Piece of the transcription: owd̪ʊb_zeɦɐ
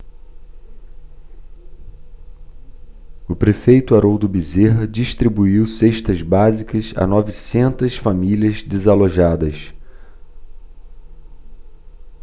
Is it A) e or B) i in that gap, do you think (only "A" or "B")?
B